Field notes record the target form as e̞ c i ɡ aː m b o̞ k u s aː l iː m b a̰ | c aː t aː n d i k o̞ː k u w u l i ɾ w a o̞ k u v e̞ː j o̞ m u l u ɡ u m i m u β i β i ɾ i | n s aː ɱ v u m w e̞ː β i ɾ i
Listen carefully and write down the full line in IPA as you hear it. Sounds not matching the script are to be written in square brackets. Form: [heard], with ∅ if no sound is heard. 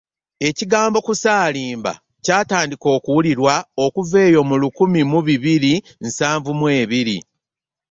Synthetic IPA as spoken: e̞ c i ɡ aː m b o̞ k u s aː l iː m b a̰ | c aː t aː n d i k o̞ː k u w u l i ɾ w a o̞ k u v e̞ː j o̞ m u l u [k] u m i m u β i β i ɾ i | n s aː ɱ v u m w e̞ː β i ɾ i